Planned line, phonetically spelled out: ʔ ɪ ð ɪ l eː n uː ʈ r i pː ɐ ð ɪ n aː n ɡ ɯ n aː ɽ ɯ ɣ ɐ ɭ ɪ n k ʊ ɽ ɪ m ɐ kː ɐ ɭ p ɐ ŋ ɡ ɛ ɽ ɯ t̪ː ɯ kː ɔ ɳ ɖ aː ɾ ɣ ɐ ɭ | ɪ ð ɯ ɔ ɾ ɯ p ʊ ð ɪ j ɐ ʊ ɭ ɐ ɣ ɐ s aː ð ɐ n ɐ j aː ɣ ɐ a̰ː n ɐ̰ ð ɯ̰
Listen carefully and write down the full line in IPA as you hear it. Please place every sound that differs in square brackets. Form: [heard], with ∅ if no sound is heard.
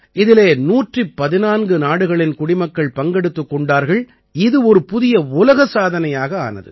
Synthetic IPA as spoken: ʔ ɪ ð ɪ l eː n uː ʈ r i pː ɐ ð ɪ n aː n ɡ ɯ n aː ɽ ɯ ɣ ɐ ɭ ɪ n k ʊ ɽ ɪ m ɐ kː ɐ ɭ p ɐ ŋ ɡ ɛ ɽ ɯ t̪ː ɯ kː ɔ ɳ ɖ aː ɾ ɣ ɐ ɭ | ɪ ð ɯ ɔ ɾ ɯ p ʊ ð ɪ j ɐ ʊ [l] ɐ ɣ ɐ s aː ð ɐ n ɐ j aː ɣ ɐ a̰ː n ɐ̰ ð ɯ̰